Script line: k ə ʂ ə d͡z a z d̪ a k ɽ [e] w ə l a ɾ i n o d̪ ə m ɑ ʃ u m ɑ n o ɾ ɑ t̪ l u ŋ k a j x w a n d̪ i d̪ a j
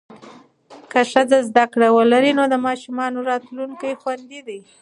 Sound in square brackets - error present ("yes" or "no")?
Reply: yes